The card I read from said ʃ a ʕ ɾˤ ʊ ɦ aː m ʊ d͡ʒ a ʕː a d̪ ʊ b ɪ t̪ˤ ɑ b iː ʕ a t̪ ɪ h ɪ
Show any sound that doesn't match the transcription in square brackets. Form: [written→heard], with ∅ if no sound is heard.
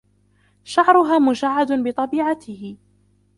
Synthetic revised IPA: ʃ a ʕ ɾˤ ʊ ɦ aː m ʊ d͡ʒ a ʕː a d̪ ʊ b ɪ t̪ˤ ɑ b iː ʕ a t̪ ɪ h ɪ